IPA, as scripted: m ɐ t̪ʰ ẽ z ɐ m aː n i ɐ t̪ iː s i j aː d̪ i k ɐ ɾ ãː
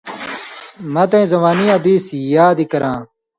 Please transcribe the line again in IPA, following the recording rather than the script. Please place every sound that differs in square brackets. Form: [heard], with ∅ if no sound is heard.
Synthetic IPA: m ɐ [t̪] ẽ z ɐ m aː n i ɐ [d̪] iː s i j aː d̪ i k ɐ ɾ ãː

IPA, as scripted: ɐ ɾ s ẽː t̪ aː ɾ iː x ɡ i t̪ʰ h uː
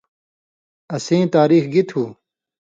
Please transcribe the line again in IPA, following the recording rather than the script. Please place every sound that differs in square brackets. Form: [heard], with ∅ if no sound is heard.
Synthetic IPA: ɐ [∅] s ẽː t̪ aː ɾ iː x ɡ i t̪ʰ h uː

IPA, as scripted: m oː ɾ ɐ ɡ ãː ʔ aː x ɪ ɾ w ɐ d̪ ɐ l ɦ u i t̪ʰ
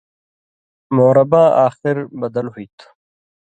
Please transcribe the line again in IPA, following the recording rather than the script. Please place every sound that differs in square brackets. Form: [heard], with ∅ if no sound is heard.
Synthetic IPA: m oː ɾ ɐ [b] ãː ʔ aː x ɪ ɾ [b] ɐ d̪ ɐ l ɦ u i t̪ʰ

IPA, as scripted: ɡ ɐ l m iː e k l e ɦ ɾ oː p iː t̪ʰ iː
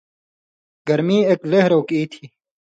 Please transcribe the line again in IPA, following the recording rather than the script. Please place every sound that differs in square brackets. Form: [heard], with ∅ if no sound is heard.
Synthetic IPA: ɡ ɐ [ɾ] m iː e k l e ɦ ɾ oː [k] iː t̪ʰ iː

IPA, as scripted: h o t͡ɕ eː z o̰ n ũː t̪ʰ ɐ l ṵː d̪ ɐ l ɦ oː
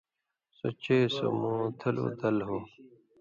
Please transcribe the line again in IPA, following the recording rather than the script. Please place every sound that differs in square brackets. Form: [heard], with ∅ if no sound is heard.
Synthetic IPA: [s] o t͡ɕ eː [s] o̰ [m] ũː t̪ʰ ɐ l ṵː d̪ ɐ l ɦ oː

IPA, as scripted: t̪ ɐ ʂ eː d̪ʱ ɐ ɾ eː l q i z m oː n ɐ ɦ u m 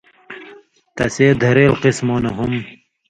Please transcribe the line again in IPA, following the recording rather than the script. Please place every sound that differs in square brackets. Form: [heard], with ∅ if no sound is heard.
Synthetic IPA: t̪ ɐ [s] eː d̪ʱ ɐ ɾ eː l q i [s] m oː n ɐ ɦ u m

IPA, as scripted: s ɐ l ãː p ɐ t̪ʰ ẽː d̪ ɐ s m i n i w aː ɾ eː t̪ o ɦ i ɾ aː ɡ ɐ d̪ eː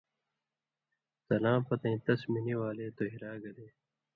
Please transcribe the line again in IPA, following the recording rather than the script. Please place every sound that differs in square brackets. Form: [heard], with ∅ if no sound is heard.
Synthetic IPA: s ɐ l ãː p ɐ [t̪] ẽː [t̪] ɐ s m i n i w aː [l] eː t̪ o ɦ i ɾ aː ɡ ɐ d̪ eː

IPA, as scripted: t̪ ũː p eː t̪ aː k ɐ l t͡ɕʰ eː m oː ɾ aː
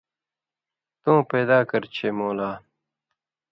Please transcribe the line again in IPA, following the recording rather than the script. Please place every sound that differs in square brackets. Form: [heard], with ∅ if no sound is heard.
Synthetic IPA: t̪ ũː p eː [d̪] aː k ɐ [ɾ] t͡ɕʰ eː m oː [l] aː

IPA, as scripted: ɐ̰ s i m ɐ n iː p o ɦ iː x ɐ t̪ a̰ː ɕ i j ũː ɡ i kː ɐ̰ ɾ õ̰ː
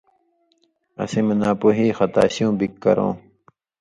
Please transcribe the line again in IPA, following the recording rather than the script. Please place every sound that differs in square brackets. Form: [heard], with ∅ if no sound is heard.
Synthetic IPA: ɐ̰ s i m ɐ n [aː] p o ɦ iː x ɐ t̪ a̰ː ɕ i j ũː [b] i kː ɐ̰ ɾ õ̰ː

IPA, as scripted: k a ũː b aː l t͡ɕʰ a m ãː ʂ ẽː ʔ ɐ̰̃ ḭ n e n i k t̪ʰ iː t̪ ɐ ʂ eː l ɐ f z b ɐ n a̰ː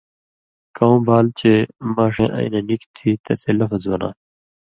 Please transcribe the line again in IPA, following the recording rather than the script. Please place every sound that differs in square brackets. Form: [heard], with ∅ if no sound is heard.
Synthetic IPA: k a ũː b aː l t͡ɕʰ [e] m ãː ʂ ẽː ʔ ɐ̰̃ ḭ n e n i k t̪ʰ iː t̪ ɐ [s] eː l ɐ f z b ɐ n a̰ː

